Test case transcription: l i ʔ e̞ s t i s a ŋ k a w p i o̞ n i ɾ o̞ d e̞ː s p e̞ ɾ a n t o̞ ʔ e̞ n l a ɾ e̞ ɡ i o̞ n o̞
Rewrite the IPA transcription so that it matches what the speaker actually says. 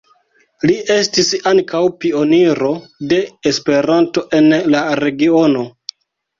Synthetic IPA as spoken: l i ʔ e̞ s t i s a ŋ k a w p i o̞ n i ɾ o̞ d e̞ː s p e̞ ɾ a n t o̞ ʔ e̞ n l a ɾ e̞ ɡ i o̞ n o̞

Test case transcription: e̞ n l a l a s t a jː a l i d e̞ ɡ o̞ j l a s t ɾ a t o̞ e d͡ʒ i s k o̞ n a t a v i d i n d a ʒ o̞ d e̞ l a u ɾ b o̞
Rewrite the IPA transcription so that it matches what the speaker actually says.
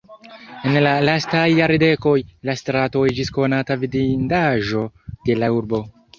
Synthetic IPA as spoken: e̞ n l a l a s t a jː a ɾ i d e̞ k o̞ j l a s t ɾ a t o̞ e d͡ʒ i s k o̞ n a t a v i d i n d a ʒ o̞ d e̞ l a u ɾ b o̞

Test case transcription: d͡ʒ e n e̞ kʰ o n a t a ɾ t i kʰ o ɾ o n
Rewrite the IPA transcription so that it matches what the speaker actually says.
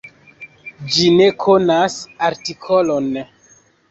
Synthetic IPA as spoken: d͡ʒ i n e̞ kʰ o n a s a ɾ t i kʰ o l o n

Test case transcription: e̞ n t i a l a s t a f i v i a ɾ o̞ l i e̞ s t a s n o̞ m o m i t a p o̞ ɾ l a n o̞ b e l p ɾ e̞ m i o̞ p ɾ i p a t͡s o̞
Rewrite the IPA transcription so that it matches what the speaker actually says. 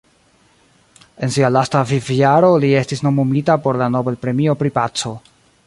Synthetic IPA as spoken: e̞ n s i a l a s t a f i v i a ɾ o̞ l i e̞ s t i s n o̞ m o m i t a p o̞ ɾ l a n o̞ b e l p ɾ e̞ m i o̞ p ɾ i p a t͡s o̞

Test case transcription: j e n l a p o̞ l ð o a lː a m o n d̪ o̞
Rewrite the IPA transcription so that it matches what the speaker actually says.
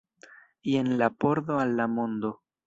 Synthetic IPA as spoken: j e n l a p o̞ ɾ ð o a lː a m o n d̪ o̞

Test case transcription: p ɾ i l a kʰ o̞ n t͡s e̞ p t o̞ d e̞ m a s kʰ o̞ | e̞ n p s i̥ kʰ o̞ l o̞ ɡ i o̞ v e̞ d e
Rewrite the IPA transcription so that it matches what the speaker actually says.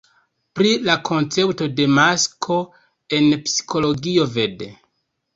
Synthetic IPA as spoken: p ɾ i l a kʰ o̞ n t͡s e̞ p t o̞ d e̞ m a s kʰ o̞ | e̞ n p s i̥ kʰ o̞ l o̞ ɡ i o̞ v e̞ d e

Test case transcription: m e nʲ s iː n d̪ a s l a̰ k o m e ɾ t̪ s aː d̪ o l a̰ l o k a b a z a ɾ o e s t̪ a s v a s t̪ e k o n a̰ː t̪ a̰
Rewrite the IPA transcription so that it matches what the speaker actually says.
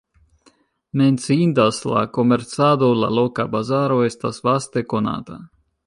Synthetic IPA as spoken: m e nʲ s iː n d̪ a s l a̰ k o m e ɾ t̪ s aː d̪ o l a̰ l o k a b a z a ɾ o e s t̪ a s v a s t̪ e k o n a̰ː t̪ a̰

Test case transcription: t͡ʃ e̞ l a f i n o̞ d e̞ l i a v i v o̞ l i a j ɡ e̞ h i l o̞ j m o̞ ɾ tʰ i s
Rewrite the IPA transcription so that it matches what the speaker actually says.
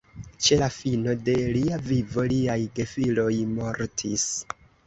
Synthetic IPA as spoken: t͡ʃ e̞ l a f i n o̞ d e̞ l i a v i v o̞ l i a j ɡ e̞ f i l o̞ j m o̞ ɾ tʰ i s

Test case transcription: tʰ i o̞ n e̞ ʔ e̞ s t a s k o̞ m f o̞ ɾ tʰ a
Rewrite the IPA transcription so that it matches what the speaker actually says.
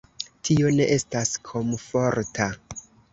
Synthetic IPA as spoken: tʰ i o̞ n e̞ ʔ e̞ s t a s kʰ o̞ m f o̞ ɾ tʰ a

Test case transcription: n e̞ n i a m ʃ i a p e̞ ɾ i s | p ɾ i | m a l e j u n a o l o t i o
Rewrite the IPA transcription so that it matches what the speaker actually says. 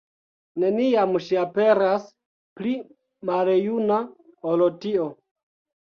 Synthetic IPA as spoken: n e̞ n i a m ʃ i a p e̞ ɾ a s | p l i | m a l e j u n a o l o t i o

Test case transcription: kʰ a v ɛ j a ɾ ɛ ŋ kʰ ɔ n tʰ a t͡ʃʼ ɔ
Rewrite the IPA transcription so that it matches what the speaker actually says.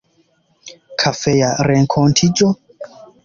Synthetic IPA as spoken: kʰ a f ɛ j a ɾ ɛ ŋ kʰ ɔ n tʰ i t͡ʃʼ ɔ

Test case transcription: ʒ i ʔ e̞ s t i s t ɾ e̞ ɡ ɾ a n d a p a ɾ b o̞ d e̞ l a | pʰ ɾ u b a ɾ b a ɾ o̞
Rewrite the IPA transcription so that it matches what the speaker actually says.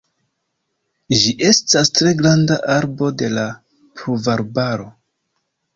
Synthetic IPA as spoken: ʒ i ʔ e̞ s t a s t ɾ e̞ ɡ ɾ a n d a ʔ a ɾ b o̞ d e̞ l a | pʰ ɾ u v a ɾ b a ɾ o̞

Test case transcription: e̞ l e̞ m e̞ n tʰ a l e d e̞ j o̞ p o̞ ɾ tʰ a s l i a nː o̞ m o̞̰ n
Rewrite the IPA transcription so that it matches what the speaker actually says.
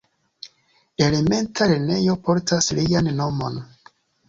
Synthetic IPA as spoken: e̞ l e̞ m e̞ n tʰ a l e n e̞ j o̞ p o̞ ɾ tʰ a s l i a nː o̞ m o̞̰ n

